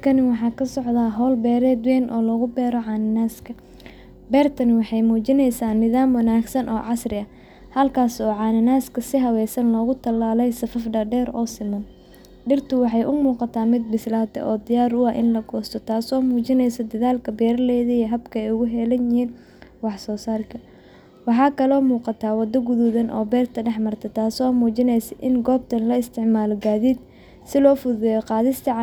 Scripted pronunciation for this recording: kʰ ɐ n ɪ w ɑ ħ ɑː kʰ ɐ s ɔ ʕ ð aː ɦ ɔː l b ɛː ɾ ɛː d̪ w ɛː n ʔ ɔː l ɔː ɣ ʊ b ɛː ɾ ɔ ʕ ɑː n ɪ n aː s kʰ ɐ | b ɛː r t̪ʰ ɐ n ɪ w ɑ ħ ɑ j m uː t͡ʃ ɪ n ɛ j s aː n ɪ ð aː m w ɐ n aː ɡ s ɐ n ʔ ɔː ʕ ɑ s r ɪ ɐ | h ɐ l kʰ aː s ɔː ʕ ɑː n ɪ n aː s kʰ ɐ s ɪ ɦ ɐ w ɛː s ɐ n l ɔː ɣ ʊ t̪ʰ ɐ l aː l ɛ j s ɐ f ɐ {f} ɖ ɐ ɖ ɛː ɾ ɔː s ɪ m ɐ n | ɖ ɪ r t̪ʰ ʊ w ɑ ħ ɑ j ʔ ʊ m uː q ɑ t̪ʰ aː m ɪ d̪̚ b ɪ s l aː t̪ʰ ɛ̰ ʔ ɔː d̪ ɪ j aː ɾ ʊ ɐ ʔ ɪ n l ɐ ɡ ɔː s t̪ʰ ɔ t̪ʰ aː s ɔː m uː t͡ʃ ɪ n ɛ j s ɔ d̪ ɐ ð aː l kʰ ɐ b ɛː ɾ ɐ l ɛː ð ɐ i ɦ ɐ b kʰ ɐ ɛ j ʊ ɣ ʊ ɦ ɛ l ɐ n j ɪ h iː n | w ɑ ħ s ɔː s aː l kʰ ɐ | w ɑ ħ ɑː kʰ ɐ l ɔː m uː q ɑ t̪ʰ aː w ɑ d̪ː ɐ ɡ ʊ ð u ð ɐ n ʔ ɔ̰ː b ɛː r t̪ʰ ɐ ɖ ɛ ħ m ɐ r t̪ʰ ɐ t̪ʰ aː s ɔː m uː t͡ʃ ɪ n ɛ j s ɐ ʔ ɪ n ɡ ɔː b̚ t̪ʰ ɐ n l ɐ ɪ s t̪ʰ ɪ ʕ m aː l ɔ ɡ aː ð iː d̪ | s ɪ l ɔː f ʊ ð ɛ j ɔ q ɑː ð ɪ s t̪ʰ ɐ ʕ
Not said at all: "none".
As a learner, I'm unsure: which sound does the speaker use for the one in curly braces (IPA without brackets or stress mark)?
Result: f